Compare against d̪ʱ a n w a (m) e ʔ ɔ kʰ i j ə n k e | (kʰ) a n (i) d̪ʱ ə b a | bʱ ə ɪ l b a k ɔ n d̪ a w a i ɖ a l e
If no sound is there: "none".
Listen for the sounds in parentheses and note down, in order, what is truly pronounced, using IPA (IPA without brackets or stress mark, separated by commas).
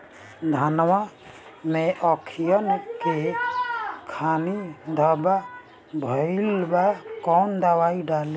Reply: m, kʰ, i